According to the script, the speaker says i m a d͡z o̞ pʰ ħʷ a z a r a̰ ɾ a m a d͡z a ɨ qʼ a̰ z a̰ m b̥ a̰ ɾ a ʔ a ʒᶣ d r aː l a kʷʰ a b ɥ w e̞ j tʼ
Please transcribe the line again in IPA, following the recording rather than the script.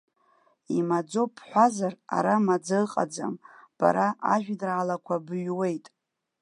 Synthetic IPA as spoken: i m a d͡z o̞ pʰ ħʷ a z a r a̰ ɾ a m a d͡z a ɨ qʼ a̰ d͡z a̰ m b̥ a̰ ɾ a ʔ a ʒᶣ d r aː l a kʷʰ a b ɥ w e̞ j tʼ

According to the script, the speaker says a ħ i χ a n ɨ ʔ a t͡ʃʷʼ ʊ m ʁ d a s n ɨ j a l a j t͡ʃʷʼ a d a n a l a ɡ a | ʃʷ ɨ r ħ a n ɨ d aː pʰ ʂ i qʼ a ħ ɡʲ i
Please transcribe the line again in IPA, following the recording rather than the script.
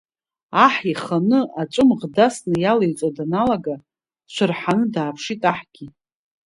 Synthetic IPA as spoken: a ħ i χ a n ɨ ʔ a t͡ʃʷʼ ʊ m ʁ d a s n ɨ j a l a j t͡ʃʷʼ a d a n a l a ɡ a | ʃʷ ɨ r ħ a n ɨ d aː pʰ ʂ i tʼ a ħ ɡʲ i

